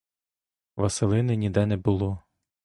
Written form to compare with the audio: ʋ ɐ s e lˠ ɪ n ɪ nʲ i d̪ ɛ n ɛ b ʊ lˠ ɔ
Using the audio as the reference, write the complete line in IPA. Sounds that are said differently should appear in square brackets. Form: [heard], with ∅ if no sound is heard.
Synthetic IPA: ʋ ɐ s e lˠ ɪ n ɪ nʲ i d̪ ɛ n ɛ b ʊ lˠ ɔ